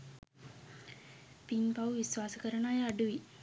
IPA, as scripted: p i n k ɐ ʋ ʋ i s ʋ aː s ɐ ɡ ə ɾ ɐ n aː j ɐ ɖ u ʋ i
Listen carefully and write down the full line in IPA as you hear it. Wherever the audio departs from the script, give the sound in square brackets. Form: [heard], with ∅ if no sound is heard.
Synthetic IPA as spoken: p i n [p] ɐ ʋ ʋ i s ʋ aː s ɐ [k] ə ɾ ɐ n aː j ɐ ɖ u ʋ i

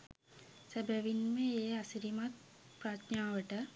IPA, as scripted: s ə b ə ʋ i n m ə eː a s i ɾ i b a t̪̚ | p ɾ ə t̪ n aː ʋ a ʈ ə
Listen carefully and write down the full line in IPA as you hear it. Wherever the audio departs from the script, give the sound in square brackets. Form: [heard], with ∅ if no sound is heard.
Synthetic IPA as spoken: s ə b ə ʋ i n m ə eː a s i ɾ i [m] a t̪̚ | p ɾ [a] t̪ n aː ʋ [ə] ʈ ə

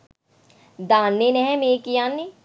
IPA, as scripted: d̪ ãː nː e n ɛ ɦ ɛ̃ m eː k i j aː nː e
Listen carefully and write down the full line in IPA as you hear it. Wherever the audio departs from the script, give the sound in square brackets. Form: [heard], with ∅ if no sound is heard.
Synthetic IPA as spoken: d̪ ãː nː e n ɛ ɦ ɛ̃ m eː k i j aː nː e

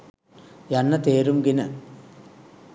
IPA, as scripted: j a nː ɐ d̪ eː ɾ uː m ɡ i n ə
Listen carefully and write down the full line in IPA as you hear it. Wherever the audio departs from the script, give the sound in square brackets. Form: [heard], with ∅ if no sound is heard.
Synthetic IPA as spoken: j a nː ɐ [t̪] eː ɾ [u] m ɡ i n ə

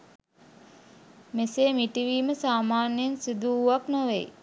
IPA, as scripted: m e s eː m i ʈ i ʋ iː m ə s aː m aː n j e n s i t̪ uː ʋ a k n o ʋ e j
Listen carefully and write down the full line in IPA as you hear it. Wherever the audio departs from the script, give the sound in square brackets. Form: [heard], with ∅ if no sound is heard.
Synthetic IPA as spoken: m e s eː m i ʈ i ʋ iː m ə s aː m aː n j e n s i [d̪] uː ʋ a k n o ʋ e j

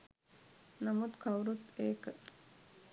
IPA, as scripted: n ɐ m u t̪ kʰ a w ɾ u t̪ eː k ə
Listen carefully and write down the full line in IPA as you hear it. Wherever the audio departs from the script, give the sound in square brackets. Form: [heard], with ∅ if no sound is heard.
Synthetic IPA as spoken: n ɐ m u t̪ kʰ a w ɾ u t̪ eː k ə

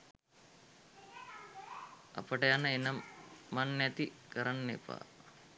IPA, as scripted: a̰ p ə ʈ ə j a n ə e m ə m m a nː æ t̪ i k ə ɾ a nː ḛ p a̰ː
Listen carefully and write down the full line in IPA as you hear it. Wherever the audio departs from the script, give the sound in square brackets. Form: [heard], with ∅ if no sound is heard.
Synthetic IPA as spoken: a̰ p ə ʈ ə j a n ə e [n] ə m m a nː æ t̪ i k ə ɾ a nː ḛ p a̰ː

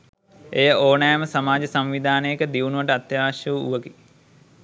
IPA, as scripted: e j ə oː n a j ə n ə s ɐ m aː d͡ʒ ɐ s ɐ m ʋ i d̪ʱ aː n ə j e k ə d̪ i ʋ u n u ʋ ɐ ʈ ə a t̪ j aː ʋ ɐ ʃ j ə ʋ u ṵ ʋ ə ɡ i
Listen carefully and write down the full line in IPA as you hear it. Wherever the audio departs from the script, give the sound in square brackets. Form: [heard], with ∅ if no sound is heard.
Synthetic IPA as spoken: e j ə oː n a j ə [m] ə s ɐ m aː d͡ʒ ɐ s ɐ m ʋ i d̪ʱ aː n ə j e k ə d̪ i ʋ u n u ʋ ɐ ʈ ə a t̪ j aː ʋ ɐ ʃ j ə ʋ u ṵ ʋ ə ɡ i

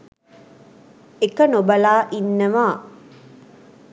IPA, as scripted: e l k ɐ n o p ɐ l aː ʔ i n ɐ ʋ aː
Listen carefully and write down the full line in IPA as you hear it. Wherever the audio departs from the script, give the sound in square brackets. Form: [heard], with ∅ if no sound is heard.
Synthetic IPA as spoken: e [∅] k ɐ n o [b] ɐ l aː ʔ i [nː] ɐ ʋ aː

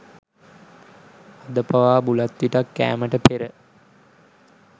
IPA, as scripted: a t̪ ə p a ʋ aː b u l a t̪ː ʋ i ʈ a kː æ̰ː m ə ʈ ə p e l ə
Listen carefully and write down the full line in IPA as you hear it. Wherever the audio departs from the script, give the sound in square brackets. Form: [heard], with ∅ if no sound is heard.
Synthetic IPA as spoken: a [d̪] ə p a ʋ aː b u l a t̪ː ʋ i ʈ a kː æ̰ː m ə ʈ ə p e [ɾ] ə

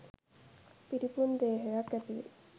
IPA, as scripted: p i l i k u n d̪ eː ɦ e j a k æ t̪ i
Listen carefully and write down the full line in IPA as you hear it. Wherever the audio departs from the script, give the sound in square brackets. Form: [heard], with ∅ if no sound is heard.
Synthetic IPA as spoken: p i [ɾ] i [p] u n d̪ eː ɦ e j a k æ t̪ i

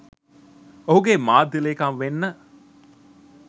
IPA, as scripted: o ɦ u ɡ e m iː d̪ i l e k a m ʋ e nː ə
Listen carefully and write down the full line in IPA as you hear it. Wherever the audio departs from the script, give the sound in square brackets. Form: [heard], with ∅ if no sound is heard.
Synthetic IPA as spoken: o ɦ u ɡ e m [aː] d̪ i l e k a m ʋ e nː ə

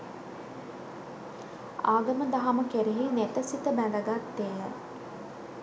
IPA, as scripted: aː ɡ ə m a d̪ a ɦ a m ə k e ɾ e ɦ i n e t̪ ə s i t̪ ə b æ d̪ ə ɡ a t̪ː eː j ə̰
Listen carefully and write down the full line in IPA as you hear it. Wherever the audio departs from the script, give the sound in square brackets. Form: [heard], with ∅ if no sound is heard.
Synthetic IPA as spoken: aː ɡ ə m [ə] d̪ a ɦ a m ə k e ɾ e ɦ i n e t̪ ə s i t̪ ə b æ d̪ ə ɡ a t̪ː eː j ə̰

